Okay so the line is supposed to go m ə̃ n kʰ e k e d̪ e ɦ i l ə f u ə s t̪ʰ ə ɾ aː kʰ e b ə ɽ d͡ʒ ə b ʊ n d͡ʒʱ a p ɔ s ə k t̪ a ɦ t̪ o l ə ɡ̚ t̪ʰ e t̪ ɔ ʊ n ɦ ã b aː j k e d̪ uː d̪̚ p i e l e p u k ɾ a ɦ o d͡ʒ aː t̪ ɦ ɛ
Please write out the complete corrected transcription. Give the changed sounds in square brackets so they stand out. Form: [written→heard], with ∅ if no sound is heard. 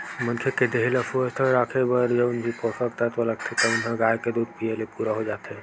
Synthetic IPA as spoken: m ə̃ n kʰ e k e d̪ e ɦ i l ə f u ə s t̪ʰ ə ɾ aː kʰ e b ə [ɽ→ɾ] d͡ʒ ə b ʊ n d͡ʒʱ [a→i] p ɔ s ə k t̪ a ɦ t̪ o l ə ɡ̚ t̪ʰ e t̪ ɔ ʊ n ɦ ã [b→ɡ] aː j k e d̪ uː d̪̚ p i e l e p u [k→∅] ɾ a ɦ o d͡ʒ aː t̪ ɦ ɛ

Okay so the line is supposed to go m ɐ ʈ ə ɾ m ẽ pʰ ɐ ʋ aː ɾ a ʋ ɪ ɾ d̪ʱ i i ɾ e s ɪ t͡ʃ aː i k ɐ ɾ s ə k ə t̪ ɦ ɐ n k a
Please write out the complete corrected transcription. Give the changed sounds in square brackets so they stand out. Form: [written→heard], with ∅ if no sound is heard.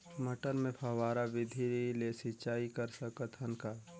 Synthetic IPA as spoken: m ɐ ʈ ə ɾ m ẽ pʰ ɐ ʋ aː ɾ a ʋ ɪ [ɾ→∅] d̪ʱ i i [ɾ→l] e s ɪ t͡ʃ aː i k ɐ ɾ s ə k ə t̪ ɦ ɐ n k a

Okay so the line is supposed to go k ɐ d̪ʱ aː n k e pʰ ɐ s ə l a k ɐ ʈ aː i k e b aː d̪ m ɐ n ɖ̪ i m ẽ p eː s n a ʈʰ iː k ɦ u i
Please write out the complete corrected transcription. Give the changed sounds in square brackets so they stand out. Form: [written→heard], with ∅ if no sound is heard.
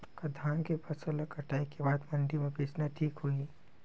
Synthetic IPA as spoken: k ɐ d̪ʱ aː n k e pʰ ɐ s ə l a k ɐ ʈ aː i k e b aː d̪ m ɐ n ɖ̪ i m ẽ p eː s n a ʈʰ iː k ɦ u i

